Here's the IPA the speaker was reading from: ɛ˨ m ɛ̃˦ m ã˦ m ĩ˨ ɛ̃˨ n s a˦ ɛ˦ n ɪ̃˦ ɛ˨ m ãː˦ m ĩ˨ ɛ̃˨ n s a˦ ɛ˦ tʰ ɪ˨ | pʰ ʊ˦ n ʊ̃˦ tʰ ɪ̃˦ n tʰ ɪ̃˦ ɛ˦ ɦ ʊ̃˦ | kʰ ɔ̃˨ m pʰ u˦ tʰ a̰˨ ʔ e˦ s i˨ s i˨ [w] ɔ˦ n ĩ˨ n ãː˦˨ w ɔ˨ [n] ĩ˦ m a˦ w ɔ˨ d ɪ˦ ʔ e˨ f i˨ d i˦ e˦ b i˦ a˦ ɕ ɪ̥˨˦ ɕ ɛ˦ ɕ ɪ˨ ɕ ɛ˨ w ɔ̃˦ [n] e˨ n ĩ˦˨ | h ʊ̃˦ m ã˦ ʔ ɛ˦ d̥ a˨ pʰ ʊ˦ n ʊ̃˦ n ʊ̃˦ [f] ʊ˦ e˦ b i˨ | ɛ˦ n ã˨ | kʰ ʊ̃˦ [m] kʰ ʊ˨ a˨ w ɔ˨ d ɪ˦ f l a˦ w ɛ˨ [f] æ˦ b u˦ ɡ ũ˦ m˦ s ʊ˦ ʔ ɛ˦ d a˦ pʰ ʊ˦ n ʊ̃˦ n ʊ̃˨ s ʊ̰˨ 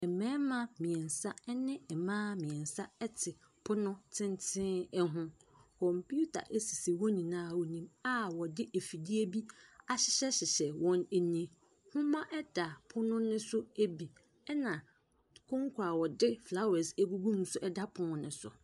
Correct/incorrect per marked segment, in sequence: correct, correct, correct, incorrect, incorrect, incorrect

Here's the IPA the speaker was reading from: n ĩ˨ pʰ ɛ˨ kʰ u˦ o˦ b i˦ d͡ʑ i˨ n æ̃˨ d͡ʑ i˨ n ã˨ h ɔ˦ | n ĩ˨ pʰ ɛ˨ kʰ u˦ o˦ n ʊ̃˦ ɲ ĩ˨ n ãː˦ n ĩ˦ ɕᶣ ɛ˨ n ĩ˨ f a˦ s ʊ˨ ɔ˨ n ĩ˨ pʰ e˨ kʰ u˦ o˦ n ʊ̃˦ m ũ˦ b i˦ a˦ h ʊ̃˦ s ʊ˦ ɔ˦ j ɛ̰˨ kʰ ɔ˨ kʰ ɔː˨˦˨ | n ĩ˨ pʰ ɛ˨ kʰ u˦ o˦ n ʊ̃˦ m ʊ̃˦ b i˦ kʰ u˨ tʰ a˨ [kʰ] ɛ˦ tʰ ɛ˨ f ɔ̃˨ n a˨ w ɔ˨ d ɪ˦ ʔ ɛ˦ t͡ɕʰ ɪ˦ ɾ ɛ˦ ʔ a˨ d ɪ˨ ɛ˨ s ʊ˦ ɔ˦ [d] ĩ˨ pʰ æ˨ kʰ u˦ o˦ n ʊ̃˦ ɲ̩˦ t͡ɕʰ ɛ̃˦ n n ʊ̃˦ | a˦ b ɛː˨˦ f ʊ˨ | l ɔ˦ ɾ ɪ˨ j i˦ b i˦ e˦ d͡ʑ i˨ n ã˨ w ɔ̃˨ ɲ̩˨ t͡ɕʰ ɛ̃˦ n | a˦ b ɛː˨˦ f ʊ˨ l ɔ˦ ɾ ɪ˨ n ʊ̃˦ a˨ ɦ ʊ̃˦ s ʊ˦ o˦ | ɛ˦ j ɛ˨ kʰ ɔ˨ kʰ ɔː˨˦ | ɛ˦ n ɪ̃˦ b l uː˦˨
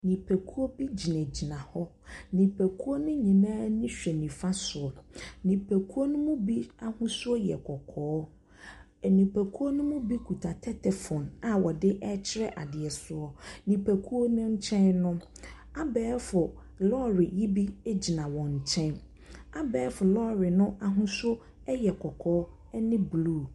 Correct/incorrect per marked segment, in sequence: incorrect, incorrect

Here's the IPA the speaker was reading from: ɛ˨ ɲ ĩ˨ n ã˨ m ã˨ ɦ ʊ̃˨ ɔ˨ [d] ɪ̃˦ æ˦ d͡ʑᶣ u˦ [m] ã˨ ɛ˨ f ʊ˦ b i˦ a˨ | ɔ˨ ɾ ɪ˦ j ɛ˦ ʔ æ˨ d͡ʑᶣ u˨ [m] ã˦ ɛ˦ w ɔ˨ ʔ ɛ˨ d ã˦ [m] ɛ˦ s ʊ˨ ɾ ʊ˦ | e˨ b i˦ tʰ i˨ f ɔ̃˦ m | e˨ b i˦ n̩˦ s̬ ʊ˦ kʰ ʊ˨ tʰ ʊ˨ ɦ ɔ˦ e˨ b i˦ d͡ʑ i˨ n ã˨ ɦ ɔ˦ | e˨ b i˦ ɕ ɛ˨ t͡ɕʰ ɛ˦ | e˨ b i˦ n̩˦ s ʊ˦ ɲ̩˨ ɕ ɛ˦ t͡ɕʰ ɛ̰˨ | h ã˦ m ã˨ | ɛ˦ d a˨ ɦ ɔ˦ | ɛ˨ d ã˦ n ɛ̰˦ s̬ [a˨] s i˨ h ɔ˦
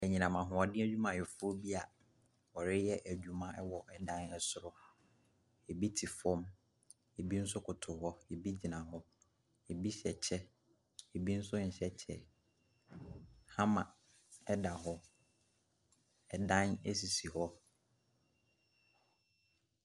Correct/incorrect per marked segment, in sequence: correct, correct, correct, incorrect, incorrect

